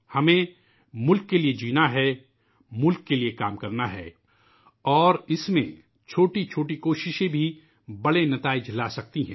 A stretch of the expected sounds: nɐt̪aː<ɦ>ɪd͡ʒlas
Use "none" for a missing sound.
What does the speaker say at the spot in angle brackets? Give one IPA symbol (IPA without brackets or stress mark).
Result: none